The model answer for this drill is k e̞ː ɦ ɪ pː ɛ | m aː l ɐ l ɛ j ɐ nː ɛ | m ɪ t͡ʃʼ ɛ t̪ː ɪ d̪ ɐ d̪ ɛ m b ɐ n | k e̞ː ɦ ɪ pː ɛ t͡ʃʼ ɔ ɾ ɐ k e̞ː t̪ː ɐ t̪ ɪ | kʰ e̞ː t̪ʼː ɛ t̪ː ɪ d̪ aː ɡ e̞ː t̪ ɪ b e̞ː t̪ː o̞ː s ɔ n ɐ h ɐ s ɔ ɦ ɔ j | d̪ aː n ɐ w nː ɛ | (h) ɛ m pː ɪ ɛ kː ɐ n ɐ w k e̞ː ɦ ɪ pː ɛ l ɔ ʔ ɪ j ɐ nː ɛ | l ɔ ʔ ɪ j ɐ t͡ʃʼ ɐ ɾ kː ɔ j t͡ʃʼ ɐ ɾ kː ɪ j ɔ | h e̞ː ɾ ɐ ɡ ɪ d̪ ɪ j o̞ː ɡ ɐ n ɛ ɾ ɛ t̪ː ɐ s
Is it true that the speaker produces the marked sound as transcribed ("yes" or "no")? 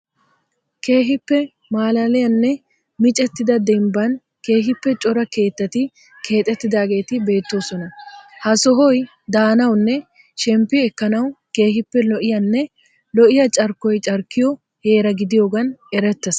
no